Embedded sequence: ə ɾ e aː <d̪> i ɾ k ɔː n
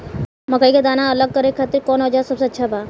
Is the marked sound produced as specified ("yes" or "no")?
no